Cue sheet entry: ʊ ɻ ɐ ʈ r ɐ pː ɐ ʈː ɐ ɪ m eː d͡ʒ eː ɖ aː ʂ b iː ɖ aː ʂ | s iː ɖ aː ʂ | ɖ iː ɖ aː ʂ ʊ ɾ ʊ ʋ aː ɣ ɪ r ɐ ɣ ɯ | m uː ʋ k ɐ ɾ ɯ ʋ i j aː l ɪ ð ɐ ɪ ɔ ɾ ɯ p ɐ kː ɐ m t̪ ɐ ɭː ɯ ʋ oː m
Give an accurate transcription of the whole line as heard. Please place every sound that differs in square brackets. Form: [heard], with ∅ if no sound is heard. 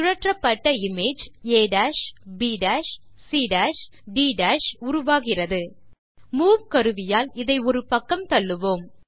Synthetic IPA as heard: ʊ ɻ ɐ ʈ r ɐ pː ɐ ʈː ɐ ɪ m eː d͡ʒ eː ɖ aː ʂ b iː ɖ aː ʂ | s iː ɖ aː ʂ | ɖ iː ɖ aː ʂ ʊ ɾ ʊ ʋ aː ɣ ɪ r ɐ [ð] ɯ | m uː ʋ k ɐ ɾ ɯ ʋ [ɪ] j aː l ɪ ð ɐ ɪ ɔ ɾ ɯ p ɐ kː ɐ m t̪ ɐ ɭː ɯ ʋ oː m